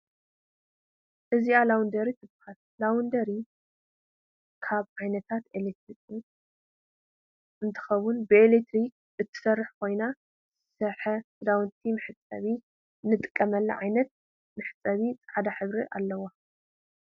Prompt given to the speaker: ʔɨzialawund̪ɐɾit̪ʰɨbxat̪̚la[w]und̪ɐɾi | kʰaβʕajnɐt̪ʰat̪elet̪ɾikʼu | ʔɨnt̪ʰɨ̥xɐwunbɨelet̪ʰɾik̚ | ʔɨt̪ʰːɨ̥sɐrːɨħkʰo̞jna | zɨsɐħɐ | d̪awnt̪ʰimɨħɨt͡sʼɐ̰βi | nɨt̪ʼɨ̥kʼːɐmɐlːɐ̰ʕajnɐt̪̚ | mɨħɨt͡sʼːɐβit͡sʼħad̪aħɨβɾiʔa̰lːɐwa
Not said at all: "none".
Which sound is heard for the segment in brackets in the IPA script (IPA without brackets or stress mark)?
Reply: w